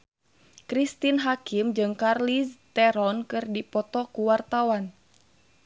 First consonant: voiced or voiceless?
voiceless